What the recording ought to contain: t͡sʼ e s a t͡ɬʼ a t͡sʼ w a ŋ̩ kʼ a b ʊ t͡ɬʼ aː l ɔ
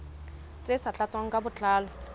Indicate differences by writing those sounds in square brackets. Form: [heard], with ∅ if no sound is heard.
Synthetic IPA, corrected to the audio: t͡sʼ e s a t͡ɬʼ a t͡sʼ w a ŋ̩ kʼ a b ʊ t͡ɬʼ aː l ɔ